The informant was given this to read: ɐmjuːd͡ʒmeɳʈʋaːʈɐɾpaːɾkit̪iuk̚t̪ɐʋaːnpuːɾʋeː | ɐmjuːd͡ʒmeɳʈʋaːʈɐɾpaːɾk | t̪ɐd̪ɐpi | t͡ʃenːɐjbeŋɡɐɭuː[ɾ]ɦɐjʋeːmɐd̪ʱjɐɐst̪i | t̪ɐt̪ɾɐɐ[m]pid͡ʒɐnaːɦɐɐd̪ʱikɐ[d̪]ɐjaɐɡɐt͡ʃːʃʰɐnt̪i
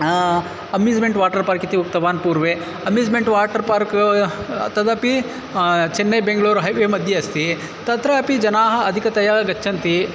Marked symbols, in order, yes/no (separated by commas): yes, no, no